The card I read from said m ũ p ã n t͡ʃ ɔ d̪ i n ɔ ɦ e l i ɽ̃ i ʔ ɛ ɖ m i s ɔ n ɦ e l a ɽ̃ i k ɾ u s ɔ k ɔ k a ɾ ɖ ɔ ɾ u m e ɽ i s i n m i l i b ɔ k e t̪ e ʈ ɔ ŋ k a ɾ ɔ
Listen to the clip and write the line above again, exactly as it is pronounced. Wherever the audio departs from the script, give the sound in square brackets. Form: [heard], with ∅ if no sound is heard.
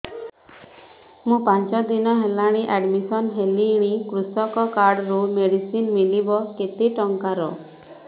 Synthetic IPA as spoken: m ũ p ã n t͡ʃ ɔ d̪ i n ɔ ɦ e l [a] ɽ̃ i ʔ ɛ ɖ m i s ɔ n ɦ e l [i] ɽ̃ i k ɾ u s ɔ k ɔ k a ɾ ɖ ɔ ɾ u m e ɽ i s i n m i l i b ɔ k e t̪ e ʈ ɔ ŋ k a ɾ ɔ